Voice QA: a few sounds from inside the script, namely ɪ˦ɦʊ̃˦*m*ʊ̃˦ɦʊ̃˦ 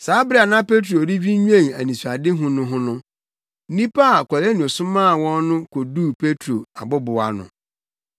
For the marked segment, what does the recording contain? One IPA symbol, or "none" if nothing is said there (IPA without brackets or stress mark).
n